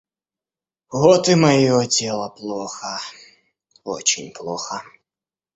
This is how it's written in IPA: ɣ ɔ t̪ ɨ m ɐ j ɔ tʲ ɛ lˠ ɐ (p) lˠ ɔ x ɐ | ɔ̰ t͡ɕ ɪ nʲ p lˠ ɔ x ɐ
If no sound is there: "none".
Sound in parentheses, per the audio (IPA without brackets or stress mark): p